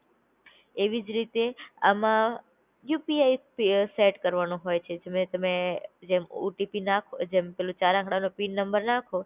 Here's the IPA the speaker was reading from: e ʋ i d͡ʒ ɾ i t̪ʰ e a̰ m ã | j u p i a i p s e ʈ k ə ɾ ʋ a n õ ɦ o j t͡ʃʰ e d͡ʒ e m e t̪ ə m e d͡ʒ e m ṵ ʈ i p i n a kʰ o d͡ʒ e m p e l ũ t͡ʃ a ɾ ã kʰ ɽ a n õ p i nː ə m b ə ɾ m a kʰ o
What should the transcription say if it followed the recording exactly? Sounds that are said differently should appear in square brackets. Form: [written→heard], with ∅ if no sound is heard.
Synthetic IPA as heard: e ʋ i d͡ʒ ɾ i [t̪ʰ→t̪] e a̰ m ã | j u p i a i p s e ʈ k ə ɾ ʋ a n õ ɦ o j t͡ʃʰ e d͡ʒ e m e t̪ ə m e d͡ʒ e m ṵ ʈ i p i n a kʰ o d͡ʒ e m p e l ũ t͡ʃ a ɾ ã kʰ ɽ a n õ p i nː ə m b ə ɾ [m→n] a kʰ o

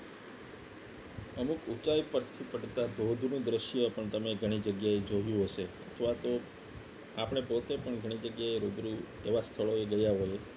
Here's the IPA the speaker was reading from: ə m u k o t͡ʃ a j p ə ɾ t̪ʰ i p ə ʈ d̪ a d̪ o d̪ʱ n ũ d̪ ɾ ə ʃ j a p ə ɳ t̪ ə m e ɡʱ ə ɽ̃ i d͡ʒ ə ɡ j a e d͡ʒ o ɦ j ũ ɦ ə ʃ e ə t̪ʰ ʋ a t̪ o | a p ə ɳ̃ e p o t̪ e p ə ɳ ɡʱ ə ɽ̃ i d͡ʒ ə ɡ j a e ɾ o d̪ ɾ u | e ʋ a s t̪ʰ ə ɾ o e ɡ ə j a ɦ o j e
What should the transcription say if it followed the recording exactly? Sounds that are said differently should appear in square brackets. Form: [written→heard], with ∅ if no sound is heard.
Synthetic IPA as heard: ə m u k [o→u] t͡ʃ a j p ə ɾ t̪ʰ i p ə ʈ [d̪→t̪] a d̪ o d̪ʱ n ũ d̪ ɾ ə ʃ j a p ə ɳ t̪ ə m e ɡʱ ə ɽ̃ i d͡ʒ ə ɡ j a e d͡ʒ o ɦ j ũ ɦ ə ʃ e ə t̪ʰ ʋ a t̪ o | a p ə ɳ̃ e p o t̪ e p ə ɳ ɡʱ ə ɽ̃ i d͡ʒ ə ɡ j a e ɾ o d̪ ɾ u | e ʋ a s t̪ʰ ə [ɾ→ɭ] o e ɡ ə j a ɦ o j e

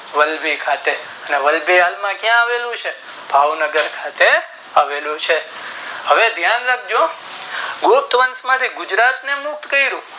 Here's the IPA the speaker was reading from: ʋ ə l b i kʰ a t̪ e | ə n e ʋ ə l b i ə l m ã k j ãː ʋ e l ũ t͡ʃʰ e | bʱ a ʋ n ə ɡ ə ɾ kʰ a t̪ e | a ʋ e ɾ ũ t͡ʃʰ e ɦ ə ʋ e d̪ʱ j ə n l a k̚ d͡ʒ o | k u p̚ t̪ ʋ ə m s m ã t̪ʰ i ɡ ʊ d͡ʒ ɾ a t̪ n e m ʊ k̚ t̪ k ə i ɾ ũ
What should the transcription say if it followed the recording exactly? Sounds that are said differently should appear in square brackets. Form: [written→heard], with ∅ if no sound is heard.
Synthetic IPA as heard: ʋ ə l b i kʰ a t̪ e | ə n e ʋ ə l b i [ə→a] l m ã k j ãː ʋ e l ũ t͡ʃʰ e | bʱ a ʋ n ə ɡ ə ɾ kʰ a t̪ e | a ʋ e [ɾ→l] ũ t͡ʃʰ e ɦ ə ʋ e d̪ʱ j [ə→a] n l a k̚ d͡ʒ o | [k→ɡ] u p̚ t̪ ʋ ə [m→n] s m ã t̪ʰ i ɡ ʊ d͡ʒ ɾ a t̪ n e m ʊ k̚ t̪ k ə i ɾ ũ

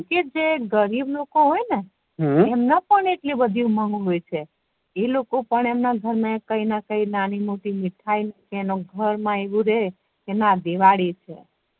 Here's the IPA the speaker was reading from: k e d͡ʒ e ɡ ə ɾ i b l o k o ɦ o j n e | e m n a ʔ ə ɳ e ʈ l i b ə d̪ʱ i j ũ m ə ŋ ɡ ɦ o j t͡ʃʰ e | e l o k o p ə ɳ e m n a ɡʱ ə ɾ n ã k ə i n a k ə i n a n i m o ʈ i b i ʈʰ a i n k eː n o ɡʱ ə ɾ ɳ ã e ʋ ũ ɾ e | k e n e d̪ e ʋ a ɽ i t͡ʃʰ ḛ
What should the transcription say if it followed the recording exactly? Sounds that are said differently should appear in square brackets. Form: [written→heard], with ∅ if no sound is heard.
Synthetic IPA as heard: k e d͡ʒ e ɡ ə ɾ i b l o k o ɦ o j n e | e m n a [ʔ→p] ə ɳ e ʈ l i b ə d̪ʱ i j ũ m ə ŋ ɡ ɦ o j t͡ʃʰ e | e l o k o p ə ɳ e m n a ɡʱ ə ɾ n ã k ə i n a k ə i n a n i m o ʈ i [b→m] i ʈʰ a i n k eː n o ɡʱ ə ɾ [ɳ→m] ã e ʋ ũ ɾ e | k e n [e→a] d̪ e ʋ a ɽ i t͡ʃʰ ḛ

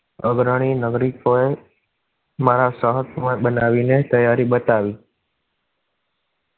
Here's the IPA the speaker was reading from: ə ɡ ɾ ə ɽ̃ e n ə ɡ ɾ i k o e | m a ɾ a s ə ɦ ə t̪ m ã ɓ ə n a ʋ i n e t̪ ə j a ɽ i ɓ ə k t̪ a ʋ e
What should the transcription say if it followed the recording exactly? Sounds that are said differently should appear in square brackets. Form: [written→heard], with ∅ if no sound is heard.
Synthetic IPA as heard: ə ɡ ɾ ə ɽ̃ [e→i] n ə ɡ ɾ i k o e | m a ɾ a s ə ɦ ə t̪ m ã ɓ ə n a ʋ i n e t̪ ə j a [ɽ→ɾ] i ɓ ə [k→∅] t̪ a ʋ [e→i]

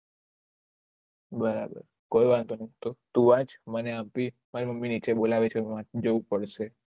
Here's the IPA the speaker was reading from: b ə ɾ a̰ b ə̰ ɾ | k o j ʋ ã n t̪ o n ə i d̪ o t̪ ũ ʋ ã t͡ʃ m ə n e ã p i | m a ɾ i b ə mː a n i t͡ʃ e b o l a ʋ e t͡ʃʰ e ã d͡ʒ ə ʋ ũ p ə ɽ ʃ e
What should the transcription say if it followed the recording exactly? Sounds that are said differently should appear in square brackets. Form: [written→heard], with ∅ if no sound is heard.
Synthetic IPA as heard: b ə ɾ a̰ b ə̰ ɾ | k o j ʋ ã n t̪ o n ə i [d̪→t̪] o t̪ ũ ʋ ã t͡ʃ m ə n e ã p i | m a ɾ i [b→m] ə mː [a→i] n i t͡ʃ e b o l a ʋ e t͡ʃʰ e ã d͡ʒ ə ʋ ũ p ə ɽ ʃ e

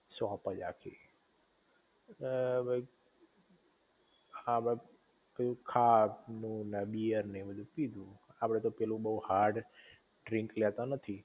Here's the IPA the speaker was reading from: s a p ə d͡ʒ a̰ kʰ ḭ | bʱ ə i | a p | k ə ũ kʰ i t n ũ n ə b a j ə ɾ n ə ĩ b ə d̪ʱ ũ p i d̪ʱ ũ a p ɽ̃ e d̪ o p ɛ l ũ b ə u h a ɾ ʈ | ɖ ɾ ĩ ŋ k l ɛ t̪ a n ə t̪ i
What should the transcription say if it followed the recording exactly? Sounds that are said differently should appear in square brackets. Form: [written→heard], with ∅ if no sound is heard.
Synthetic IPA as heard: s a p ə d͡ʒ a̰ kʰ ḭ | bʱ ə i | a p | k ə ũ kʰ [i→a] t n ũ n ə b [a→i] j ə ɾ n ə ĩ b ə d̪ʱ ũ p i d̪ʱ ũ a p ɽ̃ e [d̪→t̪] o p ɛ l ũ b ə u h a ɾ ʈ | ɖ ɾ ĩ ŋ k l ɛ t̪ a n ə [t̪→t̪ʰ] i

